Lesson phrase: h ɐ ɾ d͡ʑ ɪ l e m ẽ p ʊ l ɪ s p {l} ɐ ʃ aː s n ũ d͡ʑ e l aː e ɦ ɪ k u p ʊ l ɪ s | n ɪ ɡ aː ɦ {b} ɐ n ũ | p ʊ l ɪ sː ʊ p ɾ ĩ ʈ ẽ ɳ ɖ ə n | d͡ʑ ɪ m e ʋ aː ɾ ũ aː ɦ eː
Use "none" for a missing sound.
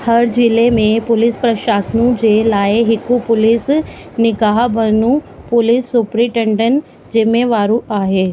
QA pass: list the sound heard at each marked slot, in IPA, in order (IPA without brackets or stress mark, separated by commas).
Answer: ɾ, b